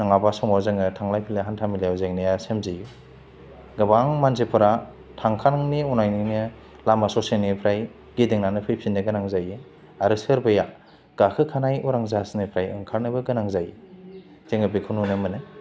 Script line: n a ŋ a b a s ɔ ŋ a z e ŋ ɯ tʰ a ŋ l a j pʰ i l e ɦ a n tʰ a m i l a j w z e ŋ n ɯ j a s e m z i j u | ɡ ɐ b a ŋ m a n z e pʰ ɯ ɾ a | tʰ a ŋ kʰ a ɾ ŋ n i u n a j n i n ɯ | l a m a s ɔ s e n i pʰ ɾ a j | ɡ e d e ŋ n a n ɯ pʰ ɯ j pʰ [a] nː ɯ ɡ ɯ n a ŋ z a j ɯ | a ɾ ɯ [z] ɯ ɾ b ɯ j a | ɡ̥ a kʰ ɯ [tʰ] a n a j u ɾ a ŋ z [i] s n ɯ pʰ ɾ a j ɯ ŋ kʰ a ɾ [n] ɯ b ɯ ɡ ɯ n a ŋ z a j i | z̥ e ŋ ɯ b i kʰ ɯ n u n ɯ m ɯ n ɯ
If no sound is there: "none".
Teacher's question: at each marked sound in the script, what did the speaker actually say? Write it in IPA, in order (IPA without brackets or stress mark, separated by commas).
i, s, kʰ, a, n